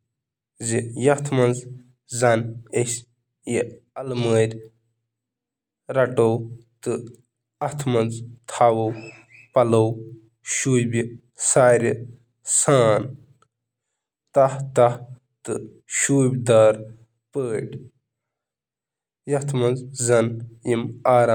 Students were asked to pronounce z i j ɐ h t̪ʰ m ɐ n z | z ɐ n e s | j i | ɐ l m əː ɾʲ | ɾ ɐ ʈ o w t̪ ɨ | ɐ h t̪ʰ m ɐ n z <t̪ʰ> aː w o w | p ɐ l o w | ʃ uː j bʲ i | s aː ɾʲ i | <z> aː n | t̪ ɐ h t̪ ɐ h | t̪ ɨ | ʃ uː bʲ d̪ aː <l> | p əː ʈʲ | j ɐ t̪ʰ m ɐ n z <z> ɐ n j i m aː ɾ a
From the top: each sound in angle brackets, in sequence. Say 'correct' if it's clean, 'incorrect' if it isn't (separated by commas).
correct, incorrect, incorrect, correct